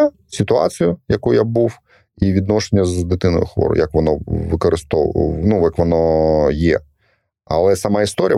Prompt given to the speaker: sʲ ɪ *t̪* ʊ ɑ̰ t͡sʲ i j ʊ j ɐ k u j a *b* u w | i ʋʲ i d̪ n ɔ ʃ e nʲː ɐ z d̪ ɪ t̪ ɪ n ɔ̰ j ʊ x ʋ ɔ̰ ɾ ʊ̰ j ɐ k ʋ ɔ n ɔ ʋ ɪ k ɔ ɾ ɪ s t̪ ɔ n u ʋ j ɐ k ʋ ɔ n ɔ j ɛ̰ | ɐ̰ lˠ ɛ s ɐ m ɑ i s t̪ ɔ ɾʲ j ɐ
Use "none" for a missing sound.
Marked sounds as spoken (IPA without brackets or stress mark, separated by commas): t̪, b